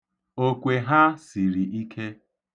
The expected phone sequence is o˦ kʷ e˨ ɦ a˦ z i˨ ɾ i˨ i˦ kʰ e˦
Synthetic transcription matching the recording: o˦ kʷ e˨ ɦ a˦ s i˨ ɾ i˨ i˦ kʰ e˦